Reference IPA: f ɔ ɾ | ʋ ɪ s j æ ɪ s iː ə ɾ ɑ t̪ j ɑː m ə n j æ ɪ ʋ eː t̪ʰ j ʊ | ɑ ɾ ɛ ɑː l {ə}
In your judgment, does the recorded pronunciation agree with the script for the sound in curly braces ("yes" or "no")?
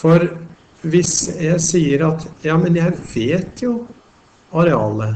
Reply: yes